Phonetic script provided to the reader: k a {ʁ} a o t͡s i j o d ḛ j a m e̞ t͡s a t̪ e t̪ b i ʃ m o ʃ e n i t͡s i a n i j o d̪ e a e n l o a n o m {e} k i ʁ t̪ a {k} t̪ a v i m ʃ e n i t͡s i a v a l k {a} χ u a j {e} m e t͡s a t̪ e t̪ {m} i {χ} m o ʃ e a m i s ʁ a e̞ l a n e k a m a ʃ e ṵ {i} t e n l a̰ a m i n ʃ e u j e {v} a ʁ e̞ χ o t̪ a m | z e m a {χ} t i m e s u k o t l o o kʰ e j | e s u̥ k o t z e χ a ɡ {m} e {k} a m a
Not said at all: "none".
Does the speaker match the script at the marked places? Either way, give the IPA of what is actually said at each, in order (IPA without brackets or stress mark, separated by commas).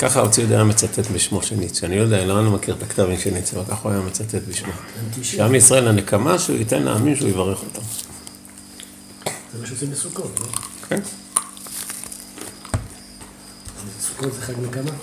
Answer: χ, a, k, a, a, b, ʃ, i, v, ʃ, n, k